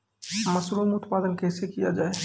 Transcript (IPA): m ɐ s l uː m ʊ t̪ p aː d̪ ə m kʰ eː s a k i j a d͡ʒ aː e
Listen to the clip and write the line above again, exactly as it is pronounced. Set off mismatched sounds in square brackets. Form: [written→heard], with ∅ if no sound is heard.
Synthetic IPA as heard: m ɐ s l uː m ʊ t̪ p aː d̪ ə [m→n] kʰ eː s [a→e] k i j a d͡ʒ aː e